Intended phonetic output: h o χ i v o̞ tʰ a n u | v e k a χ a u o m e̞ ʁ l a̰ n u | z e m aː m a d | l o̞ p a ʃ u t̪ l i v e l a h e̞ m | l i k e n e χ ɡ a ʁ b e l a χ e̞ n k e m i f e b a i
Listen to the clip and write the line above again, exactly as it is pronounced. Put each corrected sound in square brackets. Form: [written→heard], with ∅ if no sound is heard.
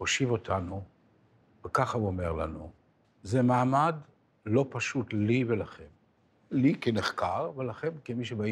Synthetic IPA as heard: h o [χ→ʃ] i v o̞ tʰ a n u | v e k a χ a u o m e̞ ʁ l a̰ n u | z e m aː m a d | l o̞ p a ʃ u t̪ l i v e l a [h→χ] e̞ m | l i k e n e χ [ɡ→k] a ʁ [b→v] e l a χ e̞ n k e m i [f→ʃ] e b a i